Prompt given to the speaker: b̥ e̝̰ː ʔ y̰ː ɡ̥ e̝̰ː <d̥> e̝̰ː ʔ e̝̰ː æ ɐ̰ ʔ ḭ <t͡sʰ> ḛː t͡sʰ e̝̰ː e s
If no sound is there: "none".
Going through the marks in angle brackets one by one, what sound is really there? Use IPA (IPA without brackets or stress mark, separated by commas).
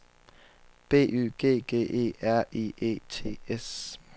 ɡ̥, none